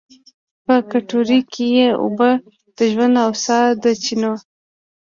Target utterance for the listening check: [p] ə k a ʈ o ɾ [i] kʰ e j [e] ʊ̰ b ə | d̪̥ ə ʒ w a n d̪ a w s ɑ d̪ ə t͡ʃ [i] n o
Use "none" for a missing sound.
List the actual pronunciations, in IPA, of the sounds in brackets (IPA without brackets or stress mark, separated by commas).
p, i, e, i